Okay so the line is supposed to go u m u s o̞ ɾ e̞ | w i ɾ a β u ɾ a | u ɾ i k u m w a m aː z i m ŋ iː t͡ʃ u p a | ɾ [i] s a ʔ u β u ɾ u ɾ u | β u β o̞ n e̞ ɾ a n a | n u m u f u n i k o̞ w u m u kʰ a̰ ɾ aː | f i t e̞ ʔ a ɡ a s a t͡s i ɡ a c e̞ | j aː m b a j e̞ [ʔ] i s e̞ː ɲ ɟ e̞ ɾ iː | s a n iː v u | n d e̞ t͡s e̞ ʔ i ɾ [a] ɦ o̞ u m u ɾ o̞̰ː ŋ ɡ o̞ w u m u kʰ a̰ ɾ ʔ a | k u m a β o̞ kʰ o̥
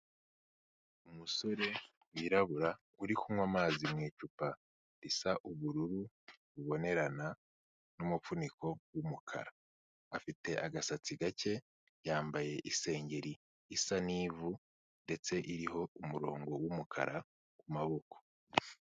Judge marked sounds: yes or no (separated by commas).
yes, yes, no